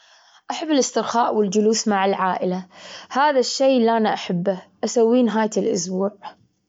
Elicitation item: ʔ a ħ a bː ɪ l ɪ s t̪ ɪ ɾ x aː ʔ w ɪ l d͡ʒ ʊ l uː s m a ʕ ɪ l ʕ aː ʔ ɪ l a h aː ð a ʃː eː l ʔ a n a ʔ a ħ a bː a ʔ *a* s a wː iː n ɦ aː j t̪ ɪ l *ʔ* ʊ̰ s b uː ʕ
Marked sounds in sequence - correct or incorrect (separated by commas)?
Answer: correct, correct